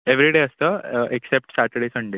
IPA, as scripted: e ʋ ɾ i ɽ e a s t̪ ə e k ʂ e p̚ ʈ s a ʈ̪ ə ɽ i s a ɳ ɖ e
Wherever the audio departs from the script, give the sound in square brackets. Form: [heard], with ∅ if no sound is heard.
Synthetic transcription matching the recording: e ʋ ɾ i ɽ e [ə] s t̪ ə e k [s] e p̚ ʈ s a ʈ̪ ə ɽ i s [ə] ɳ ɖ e